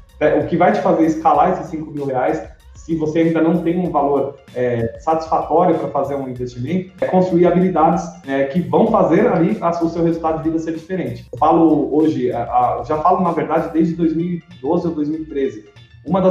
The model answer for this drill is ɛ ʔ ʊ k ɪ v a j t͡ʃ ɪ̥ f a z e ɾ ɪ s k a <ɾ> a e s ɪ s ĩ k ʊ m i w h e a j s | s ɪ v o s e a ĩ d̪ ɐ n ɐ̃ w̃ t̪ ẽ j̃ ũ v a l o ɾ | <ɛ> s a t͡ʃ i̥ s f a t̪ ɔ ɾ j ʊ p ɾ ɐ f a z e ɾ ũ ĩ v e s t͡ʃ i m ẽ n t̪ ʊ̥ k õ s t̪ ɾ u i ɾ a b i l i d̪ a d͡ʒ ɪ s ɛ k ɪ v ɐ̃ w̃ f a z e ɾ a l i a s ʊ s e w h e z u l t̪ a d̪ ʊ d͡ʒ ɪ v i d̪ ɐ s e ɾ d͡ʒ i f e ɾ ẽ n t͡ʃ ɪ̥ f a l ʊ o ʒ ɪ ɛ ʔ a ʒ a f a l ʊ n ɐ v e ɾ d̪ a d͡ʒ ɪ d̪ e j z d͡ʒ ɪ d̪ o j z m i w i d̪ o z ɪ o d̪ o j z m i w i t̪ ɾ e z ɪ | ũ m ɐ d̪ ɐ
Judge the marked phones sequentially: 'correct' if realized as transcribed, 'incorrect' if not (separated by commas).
incorrect, correct